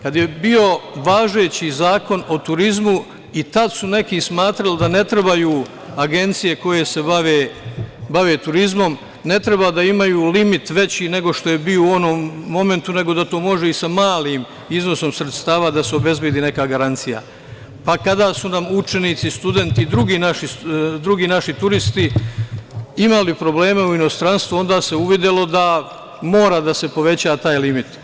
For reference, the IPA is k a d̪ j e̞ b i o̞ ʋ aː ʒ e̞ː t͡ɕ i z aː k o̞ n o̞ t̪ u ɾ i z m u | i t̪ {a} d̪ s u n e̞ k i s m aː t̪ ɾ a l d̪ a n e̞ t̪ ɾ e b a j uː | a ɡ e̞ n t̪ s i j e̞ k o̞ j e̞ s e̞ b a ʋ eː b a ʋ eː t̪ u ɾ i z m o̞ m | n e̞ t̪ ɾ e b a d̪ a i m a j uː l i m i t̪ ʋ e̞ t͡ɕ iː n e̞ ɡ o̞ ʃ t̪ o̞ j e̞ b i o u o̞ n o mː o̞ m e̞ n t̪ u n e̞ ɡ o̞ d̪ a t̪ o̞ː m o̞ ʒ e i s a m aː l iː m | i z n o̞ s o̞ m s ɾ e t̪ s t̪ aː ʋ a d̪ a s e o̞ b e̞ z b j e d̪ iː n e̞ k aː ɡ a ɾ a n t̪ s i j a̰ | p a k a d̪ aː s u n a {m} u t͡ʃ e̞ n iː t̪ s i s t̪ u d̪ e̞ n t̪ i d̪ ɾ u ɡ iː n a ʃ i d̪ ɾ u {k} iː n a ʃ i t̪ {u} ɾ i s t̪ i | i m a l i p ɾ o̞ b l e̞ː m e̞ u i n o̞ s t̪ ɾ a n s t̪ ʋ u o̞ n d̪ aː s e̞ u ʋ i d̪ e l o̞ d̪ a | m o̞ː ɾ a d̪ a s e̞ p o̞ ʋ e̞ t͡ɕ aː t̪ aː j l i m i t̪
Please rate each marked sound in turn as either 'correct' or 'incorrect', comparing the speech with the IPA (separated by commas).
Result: correct, correct, incorrect, correct